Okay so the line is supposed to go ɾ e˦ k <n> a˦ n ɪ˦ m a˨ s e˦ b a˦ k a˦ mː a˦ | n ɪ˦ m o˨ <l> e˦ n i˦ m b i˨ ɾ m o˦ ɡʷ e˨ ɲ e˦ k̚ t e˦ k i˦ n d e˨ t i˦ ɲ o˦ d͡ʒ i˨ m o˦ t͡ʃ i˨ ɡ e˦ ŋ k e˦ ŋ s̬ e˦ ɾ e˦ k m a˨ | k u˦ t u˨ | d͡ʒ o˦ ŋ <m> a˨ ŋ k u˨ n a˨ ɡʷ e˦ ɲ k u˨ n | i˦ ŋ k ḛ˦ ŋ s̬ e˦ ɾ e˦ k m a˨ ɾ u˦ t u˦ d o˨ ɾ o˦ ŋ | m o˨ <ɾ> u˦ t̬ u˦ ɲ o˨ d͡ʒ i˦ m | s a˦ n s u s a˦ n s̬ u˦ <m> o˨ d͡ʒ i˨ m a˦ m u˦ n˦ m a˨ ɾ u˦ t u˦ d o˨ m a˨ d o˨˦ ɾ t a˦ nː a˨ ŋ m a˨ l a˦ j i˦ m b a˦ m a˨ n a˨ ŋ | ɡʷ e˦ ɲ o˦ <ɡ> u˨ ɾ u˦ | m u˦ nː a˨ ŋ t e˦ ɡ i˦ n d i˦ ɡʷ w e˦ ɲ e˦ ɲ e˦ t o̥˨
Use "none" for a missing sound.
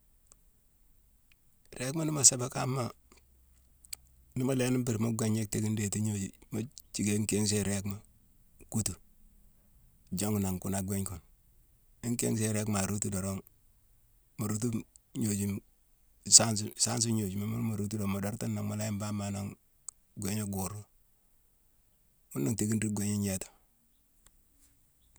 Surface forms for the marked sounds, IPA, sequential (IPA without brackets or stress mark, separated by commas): m, l, n, ɾ, ɲ, ɡ